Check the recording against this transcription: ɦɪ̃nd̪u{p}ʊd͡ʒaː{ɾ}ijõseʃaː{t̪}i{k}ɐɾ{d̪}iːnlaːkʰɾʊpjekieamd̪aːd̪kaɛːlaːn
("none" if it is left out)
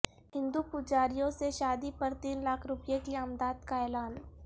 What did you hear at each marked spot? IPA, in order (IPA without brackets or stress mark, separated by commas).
p, ɾ, d̪, p, t̪